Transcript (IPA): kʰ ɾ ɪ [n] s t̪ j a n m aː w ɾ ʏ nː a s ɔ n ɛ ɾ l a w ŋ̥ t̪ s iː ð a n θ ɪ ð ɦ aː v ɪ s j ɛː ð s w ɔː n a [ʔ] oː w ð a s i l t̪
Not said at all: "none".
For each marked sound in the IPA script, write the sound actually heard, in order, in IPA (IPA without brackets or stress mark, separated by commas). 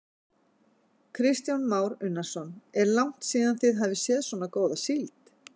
none, k